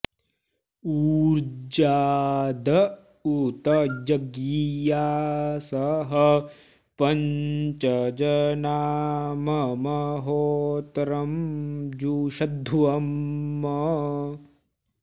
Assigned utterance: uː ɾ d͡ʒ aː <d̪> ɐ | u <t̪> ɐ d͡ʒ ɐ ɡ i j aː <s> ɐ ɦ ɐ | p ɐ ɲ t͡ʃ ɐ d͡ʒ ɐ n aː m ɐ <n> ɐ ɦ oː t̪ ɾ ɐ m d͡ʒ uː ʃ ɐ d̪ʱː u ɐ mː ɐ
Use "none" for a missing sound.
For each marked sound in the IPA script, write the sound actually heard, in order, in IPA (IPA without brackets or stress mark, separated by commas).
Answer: d̪, t̪, s, m